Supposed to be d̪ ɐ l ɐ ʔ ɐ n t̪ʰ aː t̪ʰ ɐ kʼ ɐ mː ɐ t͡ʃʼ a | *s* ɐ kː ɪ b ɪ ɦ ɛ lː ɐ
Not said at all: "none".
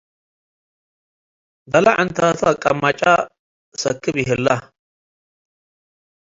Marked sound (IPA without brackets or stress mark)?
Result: s